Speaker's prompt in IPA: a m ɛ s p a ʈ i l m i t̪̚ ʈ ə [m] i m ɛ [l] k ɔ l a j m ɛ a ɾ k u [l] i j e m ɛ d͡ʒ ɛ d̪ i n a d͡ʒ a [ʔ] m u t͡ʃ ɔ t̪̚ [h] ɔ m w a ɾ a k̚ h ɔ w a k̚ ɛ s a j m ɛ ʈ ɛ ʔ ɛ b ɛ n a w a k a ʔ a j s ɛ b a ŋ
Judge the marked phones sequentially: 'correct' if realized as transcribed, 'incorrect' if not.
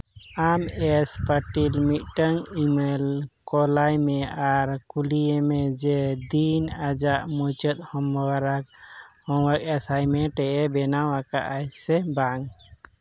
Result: incorrect, correct, correct, correct, correct

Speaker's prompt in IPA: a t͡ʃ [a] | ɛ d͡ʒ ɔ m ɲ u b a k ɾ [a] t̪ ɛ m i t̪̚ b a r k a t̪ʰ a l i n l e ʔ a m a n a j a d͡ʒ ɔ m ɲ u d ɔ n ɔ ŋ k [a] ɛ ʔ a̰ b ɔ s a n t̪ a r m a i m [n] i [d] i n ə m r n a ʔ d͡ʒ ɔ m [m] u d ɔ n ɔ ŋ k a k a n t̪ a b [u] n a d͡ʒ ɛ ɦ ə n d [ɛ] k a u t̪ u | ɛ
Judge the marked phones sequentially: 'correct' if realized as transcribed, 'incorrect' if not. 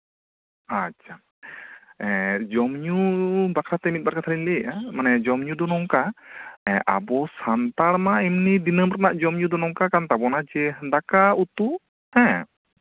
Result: correct, correct, correct, correct, correct, incorrect, incorrect, incorrect

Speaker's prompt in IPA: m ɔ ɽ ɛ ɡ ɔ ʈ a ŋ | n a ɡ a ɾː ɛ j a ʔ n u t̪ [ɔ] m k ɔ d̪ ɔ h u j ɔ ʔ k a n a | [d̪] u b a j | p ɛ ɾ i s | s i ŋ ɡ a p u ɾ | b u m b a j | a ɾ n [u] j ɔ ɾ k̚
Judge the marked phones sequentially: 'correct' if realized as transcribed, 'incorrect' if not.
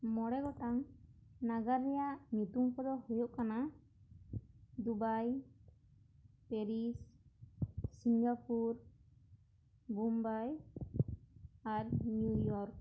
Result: incorrect, correct, correct

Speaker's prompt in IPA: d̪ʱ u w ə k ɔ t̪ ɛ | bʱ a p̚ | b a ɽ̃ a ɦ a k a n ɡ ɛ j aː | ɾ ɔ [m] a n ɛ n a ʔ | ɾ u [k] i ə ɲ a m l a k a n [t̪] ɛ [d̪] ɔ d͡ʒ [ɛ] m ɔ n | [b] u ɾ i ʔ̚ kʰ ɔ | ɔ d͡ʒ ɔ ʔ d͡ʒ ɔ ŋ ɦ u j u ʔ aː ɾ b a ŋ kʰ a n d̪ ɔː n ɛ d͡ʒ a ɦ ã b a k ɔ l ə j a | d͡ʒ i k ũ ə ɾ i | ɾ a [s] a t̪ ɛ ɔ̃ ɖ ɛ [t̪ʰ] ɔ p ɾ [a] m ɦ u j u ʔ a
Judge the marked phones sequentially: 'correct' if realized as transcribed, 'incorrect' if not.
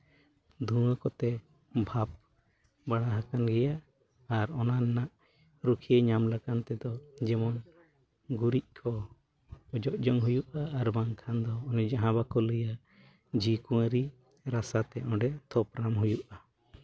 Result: incorrect, incorrect, correct, correct, correct, incorrect, correct, correct, correct

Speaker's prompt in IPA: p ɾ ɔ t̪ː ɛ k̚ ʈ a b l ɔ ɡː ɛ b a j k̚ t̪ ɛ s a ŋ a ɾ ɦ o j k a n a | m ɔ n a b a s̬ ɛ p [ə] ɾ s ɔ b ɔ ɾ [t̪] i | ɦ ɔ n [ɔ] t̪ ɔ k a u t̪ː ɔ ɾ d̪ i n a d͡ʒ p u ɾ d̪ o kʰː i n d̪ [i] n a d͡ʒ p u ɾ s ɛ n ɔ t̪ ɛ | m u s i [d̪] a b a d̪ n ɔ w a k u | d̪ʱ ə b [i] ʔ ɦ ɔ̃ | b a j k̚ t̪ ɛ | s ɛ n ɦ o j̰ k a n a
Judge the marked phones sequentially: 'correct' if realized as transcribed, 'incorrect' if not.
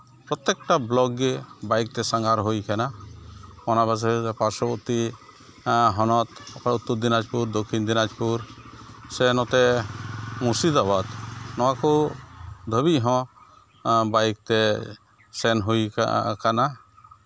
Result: incorrect, correct, correct, correct, correct, correct

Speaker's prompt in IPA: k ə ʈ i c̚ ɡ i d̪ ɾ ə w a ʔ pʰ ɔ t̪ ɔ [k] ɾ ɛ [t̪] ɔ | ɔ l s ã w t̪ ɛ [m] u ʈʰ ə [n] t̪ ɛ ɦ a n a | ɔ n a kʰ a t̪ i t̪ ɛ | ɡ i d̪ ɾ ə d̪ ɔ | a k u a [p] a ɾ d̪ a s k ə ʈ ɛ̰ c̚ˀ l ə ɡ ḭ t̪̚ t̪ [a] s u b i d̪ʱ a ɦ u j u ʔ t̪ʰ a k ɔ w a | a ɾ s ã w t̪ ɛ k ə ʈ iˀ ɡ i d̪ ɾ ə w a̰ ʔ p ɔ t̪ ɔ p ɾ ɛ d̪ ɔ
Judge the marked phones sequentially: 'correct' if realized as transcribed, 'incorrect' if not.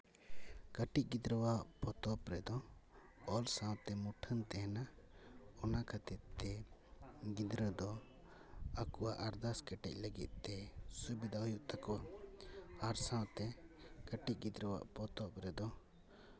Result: incorrect, incorrect, correct, correct, incorrect, incorrect

